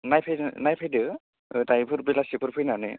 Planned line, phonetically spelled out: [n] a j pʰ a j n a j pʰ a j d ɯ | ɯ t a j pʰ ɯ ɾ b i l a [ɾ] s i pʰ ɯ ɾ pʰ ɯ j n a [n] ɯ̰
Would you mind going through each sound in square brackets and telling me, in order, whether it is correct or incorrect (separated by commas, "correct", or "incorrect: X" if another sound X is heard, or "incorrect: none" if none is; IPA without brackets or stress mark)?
correct, incorrect: none, correct